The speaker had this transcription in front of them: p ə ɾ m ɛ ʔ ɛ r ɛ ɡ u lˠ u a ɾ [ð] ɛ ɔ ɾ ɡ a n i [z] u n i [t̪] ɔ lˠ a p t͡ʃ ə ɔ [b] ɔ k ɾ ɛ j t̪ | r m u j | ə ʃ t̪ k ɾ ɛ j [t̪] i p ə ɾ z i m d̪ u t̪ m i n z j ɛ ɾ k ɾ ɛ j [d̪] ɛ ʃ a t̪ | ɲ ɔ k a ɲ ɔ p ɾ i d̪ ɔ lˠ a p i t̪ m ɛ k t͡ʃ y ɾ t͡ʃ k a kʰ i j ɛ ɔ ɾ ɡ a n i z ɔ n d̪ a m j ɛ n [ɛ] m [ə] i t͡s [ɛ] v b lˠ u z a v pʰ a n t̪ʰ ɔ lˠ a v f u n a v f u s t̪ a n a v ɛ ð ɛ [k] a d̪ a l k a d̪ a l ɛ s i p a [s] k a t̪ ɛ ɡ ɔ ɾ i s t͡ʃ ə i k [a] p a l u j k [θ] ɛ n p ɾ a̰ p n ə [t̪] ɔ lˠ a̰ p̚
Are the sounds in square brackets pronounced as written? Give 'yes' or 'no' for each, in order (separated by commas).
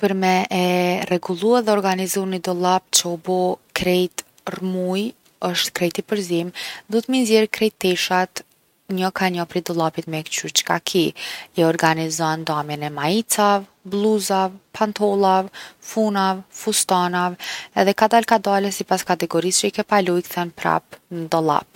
yes, yes, no, yes, yes, no, yes, no, no, yes, yes, no, yes, no